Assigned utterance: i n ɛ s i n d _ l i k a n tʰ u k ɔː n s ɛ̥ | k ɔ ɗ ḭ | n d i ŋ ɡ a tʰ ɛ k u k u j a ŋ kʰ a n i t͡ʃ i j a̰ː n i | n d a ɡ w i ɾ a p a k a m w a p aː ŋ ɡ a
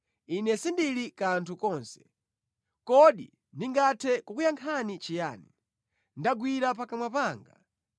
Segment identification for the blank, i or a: i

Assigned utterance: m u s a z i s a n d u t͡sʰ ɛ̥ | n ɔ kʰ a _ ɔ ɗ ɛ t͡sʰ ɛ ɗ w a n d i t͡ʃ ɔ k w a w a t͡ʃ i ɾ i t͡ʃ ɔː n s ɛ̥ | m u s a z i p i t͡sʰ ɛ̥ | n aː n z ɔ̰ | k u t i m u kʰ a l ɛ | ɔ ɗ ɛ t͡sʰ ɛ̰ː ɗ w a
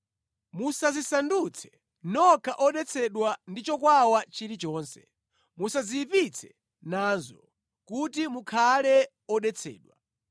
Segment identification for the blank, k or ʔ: ʔ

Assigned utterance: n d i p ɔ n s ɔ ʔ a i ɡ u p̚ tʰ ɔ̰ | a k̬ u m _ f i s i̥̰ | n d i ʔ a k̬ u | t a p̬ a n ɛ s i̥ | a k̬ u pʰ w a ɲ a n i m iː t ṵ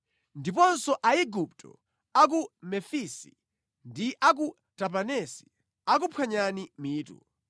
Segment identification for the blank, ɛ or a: ɛ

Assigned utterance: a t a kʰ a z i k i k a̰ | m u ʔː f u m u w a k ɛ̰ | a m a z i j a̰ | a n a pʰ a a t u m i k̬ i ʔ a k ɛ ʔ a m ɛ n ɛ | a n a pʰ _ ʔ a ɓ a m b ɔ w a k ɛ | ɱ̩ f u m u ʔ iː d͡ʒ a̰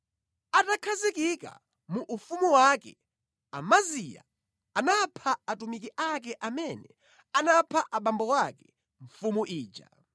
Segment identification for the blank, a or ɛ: a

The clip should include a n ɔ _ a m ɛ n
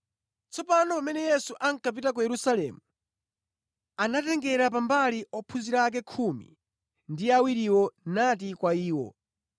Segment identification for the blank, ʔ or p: p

